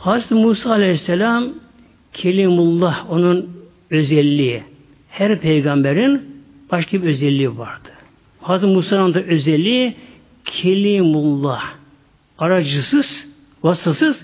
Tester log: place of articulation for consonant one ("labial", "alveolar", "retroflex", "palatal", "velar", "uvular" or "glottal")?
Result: glottal